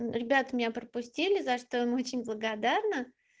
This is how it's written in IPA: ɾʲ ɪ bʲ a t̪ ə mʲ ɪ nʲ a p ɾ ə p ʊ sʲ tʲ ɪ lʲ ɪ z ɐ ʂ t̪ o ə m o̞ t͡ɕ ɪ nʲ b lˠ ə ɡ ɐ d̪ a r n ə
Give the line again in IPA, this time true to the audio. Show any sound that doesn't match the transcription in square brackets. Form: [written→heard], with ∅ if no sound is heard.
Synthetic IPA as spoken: ɾʲ ɪ bʲ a t̪ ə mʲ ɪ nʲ a p ɾ ə p ʊ sʲ tʲ [ɪ→i] lʲ ɪ z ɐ ʂ t̪ o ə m o̞ t͡ɕ ɪ nʲ b lˠ ə ɡ ɐ d̪ a r n ə